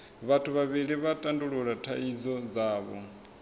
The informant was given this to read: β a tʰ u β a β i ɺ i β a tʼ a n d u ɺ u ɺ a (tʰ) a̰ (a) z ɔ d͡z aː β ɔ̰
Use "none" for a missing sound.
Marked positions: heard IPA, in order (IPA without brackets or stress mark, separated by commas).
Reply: tʰ, i